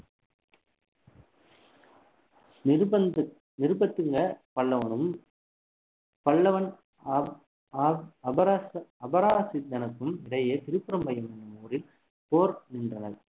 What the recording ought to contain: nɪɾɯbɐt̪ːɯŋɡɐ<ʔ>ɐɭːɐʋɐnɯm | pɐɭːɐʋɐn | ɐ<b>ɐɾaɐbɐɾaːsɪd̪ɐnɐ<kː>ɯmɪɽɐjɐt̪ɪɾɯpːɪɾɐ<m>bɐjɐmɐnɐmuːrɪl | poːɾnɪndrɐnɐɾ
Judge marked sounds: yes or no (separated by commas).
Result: no, yes, yes, yes